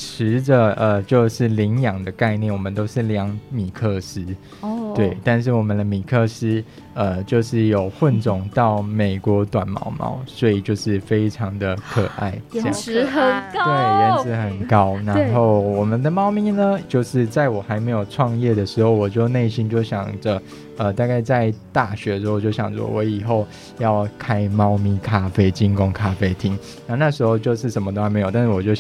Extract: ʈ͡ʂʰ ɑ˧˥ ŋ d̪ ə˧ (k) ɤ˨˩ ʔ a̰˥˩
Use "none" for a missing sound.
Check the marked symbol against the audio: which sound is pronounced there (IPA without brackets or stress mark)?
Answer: kʰ